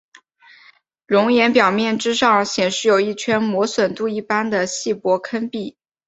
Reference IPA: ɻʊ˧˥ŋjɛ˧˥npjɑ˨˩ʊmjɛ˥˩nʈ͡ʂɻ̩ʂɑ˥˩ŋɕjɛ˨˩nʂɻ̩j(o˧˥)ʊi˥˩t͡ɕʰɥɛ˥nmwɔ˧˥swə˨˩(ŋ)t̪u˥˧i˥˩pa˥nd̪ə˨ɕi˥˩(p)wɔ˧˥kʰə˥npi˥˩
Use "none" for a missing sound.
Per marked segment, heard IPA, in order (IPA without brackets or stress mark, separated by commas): o˨˩, n, p